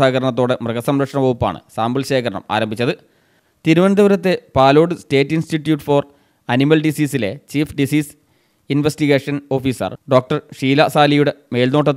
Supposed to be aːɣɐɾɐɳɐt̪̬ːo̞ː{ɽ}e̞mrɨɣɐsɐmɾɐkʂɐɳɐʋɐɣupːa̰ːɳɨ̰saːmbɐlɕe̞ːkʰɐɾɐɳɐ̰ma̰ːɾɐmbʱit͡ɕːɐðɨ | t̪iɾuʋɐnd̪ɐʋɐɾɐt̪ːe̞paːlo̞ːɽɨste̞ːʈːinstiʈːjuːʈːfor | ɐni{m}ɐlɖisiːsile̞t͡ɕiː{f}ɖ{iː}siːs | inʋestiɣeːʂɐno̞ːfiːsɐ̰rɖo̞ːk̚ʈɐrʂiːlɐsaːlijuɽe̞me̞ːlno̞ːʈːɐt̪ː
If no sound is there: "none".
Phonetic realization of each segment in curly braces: ɽ, m, f, i

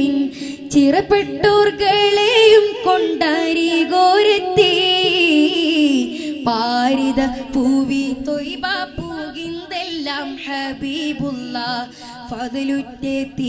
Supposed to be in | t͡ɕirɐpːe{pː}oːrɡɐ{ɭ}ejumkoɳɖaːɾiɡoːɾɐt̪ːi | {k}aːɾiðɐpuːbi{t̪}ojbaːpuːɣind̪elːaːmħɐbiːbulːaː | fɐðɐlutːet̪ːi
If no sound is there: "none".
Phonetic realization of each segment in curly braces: ʈː, ɭ, p, t̪

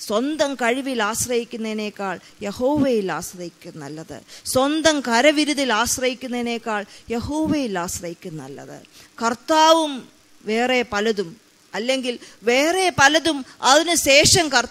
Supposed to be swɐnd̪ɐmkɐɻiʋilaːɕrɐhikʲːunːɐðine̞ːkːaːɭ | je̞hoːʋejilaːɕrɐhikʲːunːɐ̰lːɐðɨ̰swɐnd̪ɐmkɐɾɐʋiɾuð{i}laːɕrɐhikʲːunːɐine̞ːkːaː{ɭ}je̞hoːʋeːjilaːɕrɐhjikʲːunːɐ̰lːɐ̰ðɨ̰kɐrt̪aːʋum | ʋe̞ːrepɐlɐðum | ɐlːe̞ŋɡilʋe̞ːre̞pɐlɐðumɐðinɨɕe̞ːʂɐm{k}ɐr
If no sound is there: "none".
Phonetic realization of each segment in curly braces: i, ɭ, k

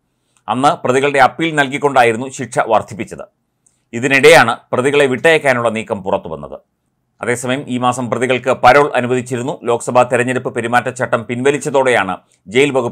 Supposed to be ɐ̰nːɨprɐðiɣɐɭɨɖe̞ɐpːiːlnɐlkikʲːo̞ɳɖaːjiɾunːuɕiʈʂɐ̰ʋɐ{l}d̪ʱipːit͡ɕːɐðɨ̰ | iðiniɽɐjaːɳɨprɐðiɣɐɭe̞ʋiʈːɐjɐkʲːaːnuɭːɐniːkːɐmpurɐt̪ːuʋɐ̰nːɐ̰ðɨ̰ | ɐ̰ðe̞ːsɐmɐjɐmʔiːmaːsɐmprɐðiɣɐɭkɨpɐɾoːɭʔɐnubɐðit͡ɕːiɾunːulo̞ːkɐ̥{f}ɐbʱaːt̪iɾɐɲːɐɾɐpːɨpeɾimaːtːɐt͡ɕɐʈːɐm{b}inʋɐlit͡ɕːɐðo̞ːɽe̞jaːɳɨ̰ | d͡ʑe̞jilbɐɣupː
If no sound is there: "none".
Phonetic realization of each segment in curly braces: r, s, p

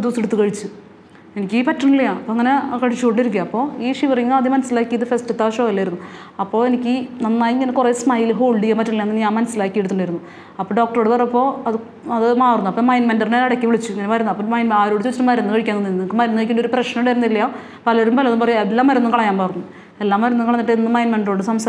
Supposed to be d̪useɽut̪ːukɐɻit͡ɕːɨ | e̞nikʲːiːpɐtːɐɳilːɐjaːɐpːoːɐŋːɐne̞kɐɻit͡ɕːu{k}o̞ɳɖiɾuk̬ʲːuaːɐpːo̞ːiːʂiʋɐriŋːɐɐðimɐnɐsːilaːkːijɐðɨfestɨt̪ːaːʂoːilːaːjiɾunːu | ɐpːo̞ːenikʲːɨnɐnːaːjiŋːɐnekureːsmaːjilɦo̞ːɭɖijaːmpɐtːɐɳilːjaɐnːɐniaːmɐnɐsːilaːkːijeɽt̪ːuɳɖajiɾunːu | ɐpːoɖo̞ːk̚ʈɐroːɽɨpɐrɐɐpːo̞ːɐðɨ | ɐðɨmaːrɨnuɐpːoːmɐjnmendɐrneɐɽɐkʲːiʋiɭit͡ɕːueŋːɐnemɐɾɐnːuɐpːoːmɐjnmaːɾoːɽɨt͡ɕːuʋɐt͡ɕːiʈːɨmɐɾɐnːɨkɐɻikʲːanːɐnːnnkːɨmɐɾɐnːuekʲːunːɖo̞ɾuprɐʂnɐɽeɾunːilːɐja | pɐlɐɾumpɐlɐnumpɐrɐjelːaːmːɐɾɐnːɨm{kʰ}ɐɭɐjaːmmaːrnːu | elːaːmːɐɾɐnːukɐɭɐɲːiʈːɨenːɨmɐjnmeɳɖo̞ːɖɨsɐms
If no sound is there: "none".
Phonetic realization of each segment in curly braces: k, k

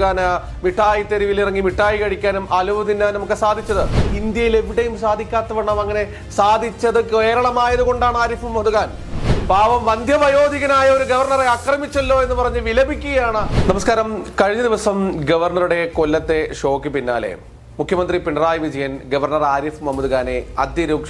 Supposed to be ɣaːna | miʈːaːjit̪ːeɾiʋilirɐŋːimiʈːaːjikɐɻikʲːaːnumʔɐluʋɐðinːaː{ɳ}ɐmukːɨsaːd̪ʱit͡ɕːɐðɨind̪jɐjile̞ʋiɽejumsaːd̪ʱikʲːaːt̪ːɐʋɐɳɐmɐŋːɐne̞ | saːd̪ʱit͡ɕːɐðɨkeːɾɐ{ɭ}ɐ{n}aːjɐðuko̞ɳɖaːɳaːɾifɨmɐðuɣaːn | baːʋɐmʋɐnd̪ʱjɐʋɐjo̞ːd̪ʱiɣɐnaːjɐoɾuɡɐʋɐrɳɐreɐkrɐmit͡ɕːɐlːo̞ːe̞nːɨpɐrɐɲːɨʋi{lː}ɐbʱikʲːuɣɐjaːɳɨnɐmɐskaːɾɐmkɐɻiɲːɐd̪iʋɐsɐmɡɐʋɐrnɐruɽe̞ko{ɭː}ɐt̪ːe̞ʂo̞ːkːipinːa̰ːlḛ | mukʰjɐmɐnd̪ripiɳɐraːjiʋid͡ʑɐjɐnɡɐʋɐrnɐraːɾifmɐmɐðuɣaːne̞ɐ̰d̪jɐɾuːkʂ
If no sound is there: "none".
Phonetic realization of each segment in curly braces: n, ɭ, m, l, lː

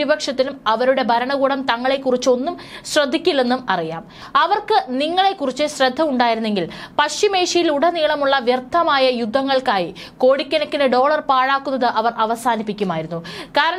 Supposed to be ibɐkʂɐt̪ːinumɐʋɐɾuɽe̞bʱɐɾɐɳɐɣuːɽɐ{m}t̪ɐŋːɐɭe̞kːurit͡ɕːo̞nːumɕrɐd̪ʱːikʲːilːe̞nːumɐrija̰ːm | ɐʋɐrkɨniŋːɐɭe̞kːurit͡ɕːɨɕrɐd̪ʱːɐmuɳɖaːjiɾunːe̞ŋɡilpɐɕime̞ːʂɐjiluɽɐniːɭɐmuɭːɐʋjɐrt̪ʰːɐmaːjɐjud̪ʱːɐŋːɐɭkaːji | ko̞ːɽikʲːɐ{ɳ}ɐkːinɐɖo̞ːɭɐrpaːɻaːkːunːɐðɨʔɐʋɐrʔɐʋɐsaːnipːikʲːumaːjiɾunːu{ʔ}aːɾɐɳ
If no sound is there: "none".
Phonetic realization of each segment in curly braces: m, n, k

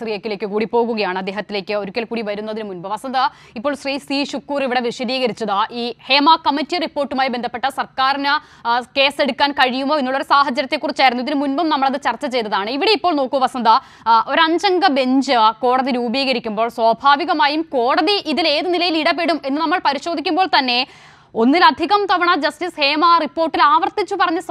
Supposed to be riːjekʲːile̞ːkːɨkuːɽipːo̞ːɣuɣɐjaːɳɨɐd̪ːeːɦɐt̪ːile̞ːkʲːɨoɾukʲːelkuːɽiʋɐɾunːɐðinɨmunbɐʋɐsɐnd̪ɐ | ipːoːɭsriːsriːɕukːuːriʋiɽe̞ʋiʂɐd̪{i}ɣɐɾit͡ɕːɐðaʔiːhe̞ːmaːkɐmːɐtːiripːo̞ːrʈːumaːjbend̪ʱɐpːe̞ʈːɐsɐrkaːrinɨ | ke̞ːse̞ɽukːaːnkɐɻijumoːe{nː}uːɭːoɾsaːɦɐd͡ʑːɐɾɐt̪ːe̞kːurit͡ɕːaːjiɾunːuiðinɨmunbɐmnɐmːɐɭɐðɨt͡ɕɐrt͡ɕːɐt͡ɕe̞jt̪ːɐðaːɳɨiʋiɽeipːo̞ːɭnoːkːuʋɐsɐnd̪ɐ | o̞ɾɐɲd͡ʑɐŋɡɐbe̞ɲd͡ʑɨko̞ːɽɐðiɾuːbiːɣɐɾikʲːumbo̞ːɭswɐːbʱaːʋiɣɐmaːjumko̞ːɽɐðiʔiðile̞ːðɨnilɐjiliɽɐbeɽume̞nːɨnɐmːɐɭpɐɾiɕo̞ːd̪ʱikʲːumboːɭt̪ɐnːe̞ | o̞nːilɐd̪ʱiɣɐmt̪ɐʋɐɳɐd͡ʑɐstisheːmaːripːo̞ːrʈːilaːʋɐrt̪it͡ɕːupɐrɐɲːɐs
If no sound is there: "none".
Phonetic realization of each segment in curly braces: iː, nː

